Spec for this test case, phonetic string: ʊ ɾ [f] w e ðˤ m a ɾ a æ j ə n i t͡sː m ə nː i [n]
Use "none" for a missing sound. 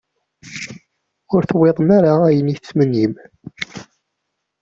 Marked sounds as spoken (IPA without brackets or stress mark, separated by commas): θ, m